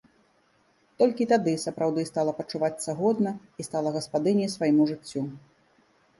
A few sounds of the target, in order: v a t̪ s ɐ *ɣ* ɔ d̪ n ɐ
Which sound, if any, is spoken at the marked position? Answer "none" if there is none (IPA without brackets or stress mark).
ɣ